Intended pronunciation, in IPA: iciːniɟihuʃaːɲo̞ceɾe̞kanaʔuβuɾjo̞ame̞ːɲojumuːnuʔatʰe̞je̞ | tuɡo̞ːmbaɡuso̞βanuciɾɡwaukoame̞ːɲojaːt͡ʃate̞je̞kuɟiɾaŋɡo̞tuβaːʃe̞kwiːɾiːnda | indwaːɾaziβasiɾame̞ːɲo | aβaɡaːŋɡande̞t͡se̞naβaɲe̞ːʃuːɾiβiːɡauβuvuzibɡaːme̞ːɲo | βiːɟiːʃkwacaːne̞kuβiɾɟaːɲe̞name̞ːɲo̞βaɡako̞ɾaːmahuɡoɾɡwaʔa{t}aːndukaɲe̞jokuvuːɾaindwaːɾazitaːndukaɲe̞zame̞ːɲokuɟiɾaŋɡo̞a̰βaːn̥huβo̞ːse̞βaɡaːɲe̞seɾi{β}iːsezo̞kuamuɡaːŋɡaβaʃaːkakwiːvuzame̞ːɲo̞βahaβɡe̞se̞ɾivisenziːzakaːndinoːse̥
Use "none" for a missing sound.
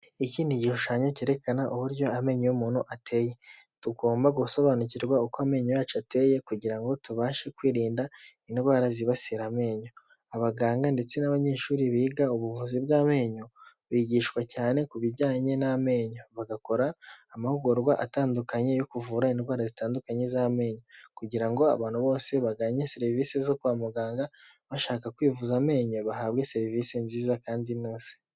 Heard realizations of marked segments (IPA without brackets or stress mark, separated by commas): t, v